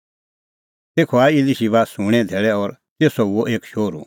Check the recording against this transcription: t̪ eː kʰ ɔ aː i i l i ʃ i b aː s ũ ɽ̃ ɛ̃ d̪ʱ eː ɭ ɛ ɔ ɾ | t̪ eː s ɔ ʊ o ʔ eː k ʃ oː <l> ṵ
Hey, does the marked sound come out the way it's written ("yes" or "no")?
no